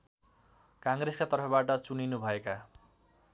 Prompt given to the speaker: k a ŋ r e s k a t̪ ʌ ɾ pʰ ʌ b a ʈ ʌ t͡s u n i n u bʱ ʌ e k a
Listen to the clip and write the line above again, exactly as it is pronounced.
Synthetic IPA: k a ŋ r e s k a t̪ ʌ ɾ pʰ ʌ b a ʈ ʌ t͡s u n i n u bʱ ʌ e k a